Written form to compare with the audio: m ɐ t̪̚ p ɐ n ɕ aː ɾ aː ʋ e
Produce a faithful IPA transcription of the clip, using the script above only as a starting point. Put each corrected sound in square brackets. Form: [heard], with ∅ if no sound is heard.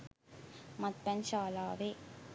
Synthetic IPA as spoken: m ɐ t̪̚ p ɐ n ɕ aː [l] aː ʋ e